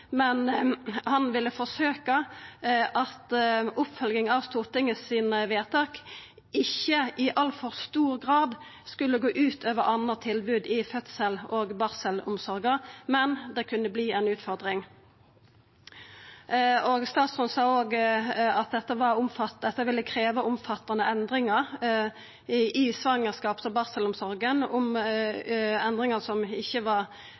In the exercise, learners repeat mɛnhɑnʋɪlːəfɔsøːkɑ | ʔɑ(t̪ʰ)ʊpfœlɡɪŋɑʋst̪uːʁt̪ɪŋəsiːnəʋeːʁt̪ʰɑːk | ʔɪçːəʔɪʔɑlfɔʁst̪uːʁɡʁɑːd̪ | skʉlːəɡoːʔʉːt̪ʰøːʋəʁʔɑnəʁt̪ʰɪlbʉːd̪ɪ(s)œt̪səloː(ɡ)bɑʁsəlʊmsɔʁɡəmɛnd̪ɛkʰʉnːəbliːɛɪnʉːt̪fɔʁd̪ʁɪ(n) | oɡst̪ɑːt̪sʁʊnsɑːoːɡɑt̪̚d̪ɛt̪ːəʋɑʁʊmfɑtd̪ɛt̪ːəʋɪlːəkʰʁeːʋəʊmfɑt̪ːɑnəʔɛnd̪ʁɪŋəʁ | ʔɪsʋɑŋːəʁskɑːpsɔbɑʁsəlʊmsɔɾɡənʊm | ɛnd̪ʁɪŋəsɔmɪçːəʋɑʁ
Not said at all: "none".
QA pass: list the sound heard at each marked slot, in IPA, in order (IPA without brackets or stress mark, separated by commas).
t̪, f, ɡ, ŋ